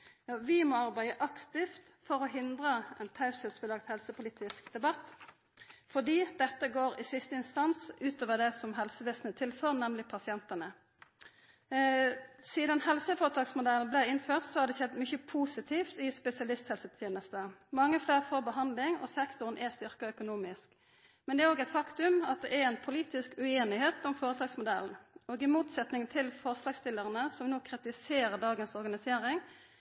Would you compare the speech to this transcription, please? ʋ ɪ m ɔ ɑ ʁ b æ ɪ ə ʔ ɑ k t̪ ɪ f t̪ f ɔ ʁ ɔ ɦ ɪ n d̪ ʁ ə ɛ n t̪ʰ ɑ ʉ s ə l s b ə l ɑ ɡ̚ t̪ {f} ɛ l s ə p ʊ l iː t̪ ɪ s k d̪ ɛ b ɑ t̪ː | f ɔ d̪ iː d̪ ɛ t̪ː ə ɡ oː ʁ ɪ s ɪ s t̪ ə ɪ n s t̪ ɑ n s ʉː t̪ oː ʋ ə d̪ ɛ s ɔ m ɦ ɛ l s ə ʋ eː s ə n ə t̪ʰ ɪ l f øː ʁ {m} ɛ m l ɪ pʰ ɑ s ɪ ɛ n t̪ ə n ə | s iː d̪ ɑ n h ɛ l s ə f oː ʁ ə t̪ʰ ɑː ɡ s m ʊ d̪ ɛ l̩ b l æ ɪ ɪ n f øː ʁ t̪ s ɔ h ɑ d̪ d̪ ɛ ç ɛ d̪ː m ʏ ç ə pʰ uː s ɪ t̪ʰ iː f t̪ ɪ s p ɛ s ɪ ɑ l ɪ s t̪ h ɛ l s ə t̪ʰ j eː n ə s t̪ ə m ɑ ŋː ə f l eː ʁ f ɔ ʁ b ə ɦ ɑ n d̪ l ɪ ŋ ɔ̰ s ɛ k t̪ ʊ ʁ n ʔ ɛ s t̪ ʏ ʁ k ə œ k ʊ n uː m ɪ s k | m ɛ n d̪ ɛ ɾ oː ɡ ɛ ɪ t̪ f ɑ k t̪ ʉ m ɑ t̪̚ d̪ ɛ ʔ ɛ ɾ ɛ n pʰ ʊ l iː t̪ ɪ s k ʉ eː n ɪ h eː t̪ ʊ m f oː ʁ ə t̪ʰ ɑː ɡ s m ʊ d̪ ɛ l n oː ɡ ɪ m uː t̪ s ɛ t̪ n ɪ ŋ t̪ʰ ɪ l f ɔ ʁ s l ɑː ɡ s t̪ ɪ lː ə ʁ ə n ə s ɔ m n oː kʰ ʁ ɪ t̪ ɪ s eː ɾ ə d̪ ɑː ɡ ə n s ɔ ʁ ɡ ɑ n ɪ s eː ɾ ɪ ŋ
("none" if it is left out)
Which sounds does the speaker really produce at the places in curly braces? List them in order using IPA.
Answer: h, n

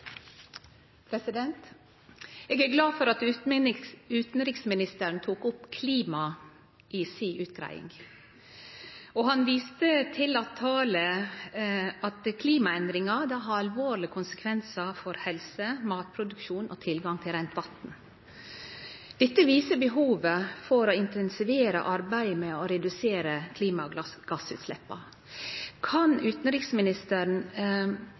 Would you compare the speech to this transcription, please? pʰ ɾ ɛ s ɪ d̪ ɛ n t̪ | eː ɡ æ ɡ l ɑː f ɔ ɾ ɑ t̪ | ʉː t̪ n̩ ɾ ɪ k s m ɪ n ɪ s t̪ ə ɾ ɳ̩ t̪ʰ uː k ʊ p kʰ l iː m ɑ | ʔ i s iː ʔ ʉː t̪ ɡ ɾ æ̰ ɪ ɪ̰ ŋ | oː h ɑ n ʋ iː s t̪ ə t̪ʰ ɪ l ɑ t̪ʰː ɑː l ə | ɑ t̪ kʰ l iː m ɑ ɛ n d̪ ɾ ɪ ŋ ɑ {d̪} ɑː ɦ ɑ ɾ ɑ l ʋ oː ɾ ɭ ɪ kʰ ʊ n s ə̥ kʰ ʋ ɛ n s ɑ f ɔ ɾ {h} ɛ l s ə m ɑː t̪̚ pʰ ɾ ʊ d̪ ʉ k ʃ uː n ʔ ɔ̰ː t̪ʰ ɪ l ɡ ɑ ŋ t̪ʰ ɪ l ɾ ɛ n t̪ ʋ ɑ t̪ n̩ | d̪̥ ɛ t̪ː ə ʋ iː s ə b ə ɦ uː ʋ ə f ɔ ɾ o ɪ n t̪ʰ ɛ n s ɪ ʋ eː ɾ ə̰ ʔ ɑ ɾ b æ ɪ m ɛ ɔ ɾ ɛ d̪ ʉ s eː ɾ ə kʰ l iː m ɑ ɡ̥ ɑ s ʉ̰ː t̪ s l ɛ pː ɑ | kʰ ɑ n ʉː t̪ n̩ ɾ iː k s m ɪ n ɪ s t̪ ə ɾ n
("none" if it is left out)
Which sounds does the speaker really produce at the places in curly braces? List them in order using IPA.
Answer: d̪, h

